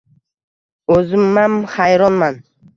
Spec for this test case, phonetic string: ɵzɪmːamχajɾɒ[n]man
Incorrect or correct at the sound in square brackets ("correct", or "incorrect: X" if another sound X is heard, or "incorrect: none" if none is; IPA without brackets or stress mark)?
correct